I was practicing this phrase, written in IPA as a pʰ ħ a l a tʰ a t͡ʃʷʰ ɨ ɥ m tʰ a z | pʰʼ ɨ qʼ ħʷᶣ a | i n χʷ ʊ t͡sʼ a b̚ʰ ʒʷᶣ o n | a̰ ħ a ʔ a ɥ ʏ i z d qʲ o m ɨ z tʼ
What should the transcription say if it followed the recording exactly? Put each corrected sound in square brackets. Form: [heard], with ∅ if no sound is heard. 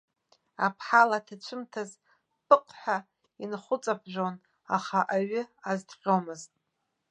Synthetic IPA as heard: a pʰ ħ a l a tʰ a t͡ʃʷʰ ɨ [∅] m tʰ a z | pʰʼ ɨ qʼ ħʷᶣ a | i n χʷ ʊ t͡sʼ a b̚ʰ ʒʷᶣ o n | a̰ [χ] a ʔ a ɥ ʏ [a] z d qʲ o m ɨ z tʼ